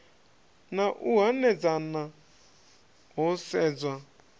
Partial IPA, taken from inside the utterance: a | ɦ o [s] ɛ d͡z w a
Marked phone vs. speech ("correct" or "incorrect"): correct